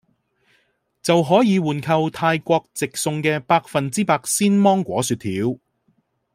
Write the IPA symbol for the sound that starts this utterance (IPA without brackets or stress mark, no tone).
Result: t͡s